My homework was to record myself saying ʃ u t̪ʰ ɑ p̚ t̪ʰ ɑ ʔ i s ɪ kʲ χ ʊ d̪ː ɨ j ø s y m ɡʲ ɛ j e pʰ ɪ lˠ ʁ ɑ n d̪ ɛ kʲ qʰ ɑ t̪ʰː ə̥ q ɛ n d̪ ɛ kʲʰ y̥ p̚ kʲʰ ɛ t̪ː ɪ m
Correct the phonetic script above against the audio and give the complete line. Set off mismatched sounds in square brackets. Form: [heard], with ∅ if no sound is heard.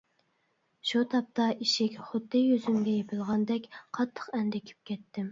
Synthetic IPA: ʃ u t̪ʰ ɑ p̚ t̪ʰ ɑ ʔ i [ʃ] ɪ kʲ χ ʊ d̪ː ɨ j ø [z] y m ɡʲ ɛ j e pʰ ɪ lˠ ʁ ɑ n d̪ ɛ kʲ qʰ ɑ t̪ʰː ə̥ q ɛ n d̪ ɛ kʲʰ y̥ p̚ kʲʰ ɛ t̪ː ɪ m